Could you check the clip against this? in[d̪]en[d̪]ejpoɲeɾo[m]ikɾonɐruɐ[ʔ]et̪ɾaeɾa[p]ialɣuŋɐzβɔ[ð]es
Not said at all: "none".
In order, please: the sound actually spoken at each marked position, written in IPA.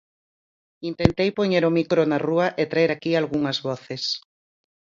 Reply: t̪, t̪, m, ʔ, k, θ

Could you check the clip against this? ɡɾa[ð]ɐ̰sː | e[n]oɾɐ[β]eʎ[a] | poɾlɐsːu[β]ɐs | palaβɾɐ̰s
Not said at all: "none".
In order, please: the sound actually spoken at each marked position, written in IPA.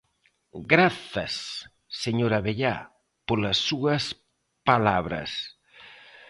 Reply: θ, ɲ, β, a, none

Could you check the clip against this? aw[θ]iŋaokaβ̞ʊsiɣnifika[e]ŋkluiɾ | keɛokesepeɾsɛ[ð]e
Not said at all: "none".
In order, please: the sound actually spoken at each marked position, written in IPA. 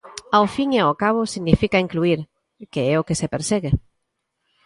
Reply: f, i, ɣ

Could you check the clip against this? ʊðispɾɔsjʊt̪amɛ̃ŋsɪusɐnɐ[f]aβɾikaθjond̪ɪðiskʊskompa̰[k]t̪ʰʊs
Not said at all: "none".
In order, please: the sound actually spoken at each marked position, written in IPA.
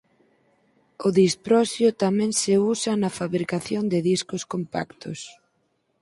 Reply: f, k

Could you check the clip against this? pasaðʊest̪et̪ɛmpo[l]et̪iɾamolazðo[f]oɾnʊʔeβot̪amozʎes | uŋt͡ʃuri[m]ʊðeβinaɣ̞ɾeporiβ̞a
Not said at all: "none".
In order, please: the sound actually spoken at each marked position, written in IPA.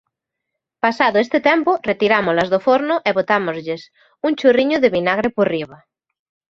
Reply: r, f, ɲ

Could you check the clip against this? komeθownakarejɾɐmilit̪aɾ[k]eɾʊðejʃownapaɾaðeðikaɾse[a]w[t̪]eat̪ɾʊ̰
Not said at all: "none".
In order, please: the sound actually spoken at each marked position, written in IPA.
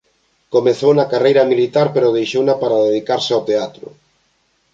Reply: p, a, t̪

